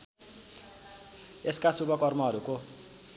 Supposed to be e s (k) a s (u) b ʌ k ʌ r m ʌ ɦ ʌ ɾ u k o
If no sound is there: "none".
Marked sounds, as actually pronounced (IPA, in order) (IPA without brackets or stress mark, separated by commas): k, u